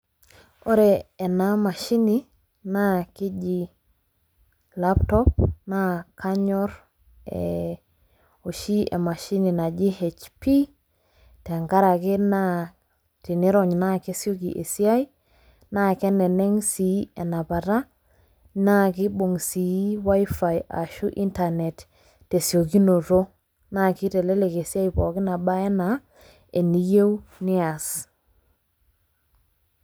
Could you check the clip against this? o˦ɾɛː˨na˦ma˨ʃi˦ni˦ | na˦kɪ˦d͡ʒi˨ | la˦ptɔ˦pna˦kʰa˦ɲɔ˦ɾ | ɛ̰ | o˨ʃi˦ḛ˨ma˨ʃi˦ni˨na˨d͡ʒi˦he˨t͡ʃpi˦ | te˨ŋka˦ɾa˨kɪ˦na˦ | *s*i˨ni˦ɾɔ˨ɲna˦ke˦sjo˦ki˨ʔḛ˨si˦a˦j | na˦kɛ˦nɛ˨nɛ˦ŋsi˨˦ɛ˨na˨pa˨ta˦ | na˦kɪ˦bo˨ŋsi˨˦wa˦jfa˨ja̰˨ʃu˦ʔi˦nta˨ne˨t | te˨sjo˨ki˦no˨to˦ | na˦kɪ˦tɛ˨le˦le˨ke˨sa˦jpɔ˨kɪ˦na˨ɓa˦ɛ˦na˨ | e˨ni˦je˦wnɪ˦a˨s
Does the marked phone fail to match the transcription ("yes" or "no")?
yes